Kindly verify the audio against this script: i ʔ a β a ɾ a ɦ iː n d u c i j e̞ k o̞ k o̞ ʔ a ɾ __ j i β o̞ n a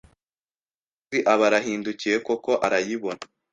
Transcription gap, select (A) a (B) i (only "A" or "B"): A